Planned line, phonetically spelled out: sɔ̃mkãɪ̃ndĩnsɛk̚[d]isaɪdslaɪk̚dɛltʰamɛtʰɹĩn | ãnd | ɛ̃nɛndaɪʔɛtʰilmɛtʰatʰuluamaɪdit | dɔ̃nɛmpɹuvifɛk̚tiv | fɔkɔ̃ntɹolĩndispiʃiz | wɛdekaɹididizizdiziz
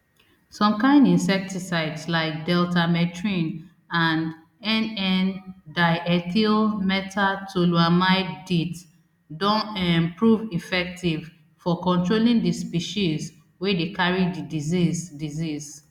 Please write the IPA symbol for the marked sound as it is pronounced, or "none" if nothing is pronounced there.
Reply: t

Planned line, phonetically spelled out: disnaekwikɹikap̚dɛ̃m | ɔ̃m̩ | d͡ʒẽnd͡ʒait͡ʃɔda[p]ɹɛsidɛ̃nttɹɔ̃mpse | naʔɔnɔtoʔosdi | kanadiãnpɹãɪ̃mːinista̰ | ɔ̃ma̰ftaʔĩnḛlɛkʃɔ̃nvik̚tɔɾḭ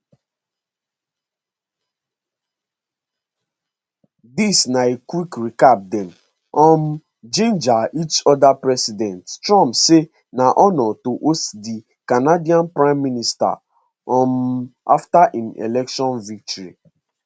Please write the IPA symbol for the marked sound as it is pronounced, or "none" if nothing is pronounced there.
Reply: p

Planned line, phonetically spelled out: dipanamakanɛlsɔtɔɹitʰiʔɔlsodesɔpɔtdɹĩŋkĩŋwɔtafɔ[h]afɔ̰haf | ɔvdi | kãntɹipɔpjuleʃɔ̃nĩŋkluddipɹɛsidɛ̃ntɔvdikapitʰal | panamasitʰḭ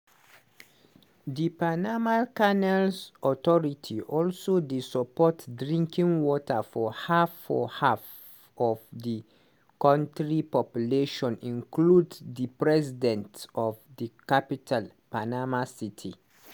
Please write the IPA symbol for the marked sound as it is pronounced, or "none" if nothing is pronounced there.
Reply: h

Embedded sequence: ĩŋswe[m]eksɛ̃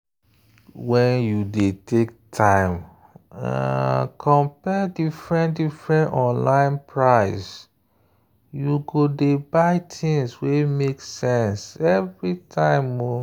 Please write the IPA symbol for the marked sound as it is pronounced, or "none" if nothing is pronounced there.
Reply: m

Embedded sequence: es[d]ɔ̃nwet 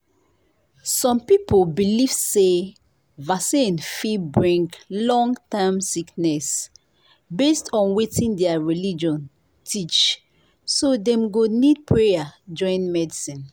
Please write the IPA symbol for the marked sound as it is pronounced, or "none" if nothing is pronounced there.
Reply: t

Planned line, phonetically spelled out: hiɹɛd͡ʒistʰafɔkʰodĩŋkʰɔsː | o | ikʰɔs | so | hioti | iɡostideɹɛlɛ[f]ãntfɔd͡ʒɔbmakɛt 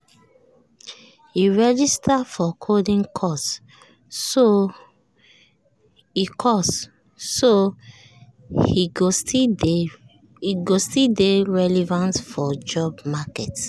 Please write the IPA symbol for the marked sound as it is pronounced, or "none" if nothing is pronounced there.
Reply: v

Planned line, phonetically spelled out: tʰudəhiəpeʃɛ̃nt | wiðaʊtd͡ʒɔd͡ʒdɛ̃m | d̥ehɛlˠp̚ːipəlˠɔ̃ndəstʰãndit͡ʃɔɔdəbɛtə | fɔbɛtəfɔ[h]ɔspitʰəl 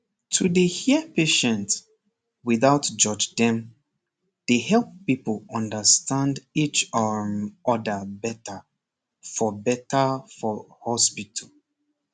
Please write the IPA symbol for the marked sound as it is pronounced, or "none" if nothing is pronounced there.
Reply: h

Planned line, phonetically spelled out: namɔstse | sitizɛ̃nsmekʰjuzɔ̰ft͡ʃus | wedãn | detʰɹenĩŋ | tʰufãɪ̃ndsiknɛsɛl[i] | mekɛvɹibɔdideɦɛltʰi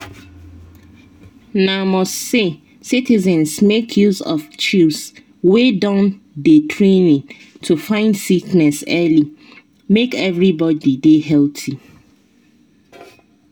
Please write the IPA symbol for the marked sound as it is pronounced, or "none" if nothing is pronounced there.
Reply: i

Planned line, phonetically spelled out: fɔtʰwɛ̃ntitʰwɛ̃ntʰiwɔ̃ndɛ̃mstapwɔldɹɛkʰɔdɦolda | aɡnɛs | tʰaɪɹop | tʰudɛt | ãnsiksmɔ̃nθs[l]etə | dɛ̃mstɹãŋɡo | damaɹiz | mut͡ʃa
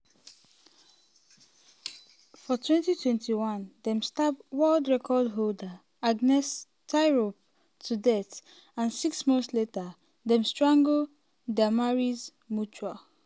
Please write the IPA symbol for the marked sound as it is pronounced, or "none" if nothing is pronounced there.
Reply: l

